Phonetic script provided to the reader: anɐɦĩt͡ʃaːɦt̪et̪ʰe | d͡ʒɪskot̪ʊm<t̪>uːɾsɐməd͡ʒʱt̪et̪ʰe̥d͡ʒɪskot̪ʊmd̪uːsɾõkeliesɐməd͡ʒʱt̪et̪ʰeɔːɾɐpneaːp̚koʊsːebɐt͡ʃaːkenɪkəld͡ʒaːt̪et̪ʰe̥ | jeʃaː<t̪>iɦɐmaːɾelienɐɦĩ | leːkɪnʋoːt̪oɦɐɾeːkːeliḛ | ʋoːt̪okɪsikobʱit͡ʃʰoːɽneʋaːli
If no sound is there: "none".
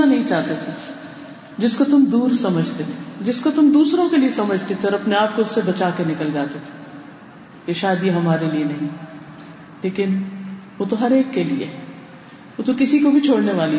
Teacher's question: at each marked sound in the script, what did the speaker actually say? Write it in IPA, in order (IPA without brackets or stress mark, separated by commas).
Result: d̪, d̪